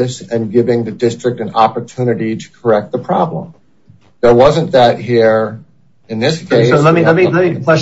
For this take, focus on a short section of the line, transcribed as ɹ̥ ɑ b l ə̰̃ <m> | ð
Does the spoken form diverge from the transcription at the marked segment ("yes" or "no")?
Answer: no